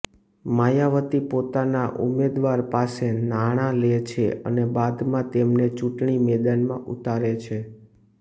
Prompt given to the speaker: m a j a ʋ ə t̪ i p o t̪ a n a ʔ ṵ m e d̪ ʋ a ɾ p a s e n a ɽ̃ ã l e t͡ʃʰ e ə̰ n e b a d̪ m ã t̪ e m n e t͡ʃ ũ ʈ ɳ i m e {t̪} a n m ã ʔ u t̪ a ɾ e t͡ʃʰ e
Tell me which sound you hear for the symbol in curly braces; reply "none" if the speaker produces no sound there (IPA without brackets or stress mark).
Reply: d̪